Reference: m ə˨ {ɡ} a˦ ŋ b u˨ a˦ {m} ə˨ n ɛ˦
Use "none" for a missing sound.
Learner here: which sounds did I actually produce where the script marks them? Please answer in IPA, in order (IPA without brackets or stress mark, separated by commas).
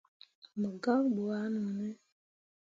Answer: ɡ, n